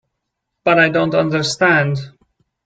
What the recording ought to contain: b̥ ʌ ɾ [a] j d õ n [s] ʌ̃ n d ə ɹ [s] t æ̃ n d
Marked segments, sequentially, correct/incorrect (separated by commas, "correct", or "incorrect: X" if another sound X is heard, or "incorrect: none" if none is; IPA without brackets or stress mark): correct, incorrect: t, correct